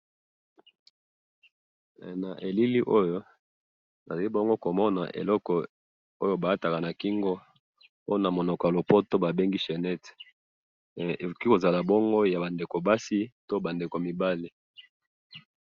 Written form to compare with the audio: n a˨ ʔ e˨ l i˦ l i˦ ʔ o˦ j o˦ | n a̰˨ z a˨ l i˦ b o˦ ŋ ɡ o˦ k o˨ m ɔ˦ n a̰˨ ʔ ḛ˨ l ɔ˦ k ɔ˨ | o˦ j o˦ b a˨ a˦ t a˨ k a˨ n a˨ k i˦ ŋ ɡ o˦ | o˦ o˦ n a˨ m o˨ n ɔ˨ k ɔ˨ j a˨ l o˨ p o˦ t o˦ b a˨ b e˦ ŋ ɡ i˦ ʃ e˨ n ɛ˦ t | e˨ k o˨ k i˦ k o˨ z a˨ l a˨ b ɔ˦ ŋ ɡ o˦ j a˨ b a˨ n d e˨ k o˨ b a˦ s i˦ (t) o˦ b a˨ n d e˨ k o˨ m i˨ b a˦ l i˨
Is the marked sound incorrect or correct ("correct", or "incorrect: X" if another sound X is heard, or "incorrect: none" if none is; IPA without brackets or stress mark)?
correct